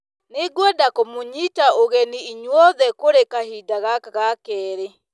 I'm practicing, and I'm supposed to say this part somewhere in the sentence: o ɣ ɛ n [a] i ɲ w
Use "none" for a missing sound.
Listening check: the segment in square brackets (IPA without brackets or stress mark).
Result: i